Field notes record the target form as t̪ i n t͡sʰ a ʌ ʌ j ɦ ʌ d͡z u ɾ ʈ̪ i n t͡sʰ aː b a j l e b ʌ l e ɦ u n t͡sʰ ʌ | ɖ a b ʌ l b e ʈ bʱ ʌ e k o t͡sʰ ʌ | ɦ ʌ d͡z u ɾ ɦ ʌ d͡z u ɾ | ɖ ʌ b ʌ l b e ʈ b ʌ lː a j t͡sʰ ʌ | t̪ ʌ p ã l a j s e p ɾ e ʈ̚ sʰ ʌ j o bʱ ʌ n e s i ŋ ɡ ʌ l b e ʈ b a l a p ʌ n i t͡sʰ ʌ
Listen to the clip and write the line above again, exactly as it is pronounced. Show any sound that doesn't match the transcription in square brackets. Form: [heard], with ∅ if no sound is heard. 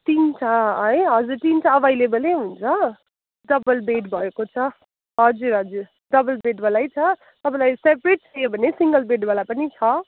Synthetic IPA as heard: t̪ i n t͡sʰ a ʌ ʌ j ɦ ʌ d͡z u ɾ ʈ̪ i n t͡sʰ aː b a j l e b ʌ l e ɦ u n t͡sʰ ʌ | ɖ [ʌ] b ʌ l b e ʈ bʱ ʌ e k o t͡sʰ ʌ | ɦ ʌ d͡z u ɾ ɦ ʌ d͡z u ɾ | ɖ ʌ b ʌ l b e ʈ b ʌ [l] a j t͡sʰ ʌ | t̪ ʌ p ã l a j s e p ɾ e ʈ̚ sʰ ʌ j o bʱ ʌ n e s i ŋ ɡ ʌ l b e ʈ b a l a p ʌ n i t͡sʰ ʌ